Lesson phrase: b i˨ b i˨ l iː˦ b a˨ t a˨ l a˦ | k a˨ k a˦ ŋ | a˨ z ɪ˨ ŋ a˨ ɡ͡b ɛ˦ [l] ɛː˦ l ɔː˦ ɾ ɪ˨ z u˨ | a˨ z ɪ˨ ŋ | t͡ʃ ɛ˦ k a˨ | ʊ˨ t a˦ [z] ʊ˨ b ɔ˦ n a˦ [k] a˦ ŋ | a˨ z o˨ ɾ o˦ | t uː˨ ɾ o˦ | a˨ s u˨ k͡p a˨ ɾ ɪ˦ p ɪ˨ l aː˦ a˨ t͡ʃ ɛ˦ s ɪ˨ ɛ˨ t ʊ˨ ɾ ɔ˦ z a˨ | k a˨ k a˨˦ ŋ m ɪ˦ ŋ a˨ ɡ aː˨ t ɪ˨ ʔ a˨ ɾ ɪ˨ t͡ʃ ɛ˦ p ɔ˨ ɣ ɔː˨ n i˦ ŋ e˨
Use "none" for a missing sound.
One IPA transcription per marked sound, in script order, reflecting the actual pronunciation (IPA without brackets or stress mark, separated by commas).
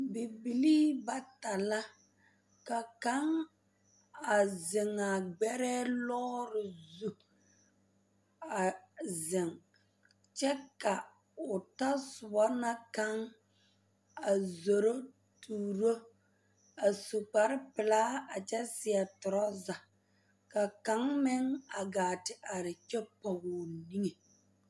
ɾ, s, k